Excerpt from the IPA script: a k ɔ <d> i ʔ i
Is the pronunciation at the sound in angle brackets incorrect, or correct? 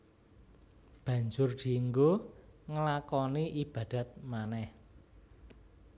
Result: incorrect